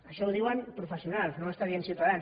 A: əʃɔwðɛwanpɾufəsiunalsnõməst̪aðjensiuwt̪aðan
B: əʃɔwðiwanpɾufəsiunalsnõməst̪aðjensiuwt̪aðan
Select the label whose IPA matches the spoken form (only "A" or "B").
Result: B